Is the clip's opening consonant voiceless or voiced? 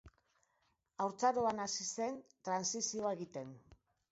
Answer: voiced